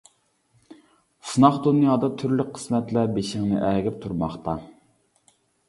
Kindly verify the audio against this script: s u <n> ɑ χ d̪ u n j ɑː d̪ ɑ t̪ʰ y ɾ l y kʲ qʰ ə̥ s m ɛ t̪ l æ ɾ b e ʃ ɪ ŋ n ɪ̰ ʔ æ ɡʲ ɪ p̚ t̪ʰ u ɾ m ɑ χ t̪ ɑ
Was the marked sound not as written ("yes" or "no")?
no